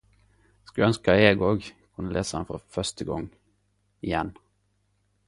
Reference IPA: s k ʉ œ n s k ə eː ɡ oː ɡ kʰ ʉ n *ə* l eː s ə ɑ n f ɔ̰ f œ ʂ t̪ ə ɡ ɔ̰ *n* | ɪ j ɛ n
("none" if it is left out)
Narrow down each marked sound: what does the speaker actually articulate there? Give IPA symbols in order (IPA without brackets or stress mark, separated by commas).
ə, ŋ